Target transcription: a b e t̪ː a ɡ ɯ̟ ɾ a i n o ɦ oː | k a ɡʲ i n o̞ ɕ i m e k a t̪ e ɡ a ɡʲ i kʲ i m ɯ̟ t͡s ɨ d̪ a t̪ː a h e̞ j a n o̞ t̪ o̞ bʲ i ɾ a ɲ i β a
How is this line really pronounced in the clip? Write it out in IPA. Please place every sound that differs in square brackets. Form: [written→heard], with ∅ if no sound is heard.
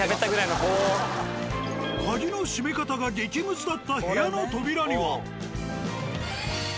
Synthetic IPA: a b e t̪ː a ɡ ɯ̟ ɾ a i n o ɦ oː | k a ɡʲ i n o̞ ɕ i m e k a t̪ [e→a] ɡ a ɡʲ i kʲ i m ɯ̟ t͡s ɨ d̪ a t̪ː a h e̞ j a n o̞ t̪ o̞ bʲ i ɾ a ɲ i β a